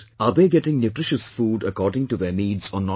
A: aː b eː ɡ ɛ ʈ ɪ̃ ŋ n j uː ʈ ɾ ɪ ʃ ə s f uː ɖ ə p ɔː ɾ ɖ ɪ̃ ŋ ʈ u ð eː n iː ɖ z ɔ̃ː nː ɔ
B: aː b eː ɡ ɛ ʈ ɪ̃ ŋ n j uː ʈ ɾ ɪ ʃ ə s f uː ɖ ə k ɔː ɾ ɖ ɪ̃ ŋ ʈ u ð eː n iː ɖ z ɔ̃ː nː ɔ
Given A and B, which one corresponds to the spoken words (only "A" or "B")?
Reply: B